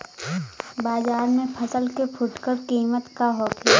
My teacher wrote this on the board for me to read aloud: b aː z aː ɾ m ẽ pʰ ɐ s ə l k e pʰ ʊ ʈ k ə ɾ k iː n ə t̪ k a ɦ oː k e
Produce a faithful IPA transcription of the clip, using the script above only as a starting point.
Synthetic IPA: b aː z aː ɾ m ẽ pʰ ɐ s ə l k e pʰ ʊ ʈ k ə ɾ k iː m ə t̪ k a ɦ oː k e